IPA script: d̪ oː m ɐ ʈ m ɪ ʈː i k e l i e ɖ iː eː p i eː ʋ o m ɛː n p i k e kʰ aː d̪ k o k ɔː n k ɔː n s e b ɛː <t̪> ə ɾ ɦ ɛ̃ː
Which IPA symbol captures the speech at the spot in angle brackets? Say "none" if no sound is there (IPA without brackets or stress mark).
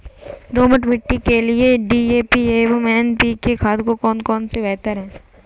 t̪